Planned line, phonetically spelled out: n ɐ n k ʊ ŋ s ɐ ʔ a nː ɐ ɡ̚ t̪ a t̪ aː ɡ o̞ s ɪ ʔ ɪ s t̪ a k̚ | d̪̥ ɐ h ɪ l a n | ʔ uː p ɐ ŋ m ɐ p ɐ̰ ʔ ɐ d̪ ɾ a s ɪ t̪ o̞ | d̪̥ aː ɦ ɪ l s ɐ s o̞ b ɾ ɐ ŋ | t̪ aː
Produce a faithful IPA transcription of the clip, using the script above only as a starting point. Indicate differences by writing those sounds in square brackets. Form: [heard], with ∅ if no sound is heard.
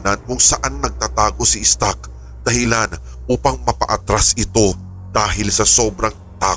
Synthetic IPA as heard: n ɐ n k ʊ ŋ s ɐ ʔ a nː ɐ ɡ̚ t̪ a t̪ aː ɡ o̞ s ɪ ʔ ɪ s t̪ a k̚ | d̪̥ ɐ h ɪ l a n | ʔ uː p ɐ ŋ m ɐ p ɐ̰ ʔ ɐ [t̪] ɾ a s ɪ t̪ o̞ | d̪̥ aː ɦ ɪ l s ɐ s o̞ b ɾ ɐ ŋ | t̪ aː